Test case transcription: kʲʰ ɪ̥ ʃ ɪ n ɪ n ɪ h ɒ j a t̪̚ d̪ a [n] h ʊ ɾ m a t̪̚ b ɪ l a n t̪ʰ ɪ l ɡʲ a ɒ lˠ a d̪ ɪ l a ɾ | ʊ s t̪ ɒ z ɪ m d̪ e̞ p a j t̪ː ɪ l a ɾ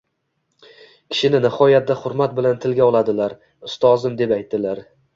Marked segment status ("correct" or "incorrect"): incorrect